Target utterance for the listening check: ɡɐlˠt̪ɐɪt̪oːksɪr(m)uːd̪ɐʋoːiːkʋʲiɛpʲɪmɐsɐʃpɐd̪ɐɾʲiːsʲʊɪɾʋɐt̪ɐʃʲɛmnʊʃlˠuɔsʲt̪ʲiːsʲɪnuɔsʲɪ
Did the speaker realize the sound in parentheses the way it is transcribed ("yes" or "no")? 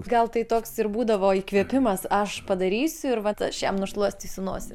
no